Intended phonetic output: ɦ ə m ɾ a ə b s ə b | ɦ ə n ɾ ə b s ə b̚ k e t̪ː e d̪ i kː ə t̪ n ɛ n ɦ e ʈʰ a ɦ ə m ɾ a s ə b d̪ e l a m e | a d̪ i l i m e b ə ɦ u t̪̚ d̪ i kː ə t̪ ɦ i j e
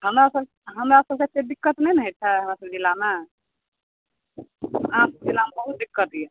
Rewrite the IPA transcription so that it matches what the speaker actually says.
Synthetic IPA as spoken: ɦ ə m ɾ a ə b s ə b | ɦ ə m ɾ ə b s ə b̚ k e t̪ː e d̪ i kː ə t̪ n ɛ n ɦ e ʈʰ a ɦ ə m ɾ a s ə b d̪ i l a m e | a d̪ i l a m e b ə ɦ u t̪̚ d̪ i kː ə t̪ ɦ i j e